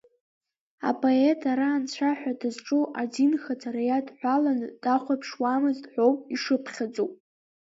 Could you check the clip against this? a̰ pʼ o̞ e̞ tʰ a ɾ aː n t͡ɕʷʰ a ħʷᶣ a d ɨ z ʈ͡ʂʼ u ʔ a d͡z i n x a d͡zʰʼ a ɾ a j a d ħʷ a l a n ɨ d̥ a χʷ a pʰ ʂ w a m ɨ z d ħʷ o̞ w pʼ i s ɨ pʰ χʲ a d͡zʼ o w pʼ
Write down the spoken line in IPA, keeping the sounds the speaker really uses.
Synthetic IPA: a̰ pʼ o̞ e̞ tʰ a ɾ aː n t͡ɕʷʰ a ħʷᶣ a d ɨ z ʈ͡ʂʼ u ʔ a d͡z i n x a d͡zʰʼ a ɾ a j a d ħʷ a l a n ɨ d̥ a χʷ a pʰ ʂ w a m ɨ z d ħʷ o̞ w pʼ i ʂ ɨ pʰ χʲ a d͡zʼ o w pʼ